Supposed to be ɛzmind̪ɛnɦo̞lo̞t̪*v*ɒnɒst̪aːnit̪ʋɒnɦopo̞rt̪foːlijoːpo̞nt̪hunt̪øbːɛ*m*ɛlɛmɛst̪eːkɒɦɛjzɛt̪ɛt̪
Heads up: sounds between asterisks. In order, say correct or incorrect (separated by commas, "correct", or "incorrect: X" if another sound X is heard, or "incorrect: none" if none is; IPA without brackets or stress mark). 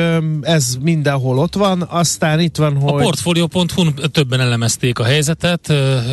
incorrect: ʋ, incorrect: n